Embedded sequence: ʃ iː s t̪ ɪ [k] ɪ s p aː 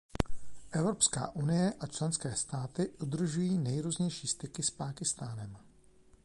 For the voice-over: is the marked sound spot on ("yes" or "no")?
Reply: yes